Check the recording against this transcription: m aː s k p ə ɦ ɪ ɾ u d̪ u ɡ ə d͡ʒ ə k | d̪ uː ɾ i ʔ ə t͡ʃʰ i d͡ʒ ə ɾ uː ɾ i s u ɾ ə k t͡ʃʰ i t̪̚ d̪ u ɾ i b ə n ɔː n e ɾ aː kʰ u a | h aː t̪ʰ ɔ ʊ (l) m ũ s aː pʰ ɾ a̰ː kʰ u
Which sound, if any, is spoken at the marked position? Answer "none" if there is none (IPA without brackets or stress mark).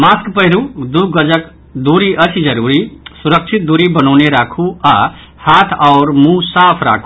ɾ